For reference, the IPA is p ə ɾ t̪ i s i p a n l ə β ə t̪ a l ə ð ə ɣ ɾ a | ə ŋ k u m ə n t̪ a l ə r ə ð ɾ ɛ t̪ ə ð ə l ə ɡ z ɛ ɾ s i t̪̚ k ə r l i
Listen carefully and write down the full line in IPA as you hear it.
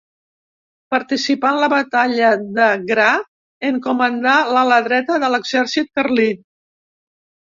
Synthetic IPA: p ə ɾ t̪ i s i p a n l ə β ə t̪ a ʎ ə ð ə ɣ ɾ a | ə ŋ k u m ə n d̪ a l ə l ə ð ɾ ɛ t̪ ə ð ə l ə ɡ z ɛ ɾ s i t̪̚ k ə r l i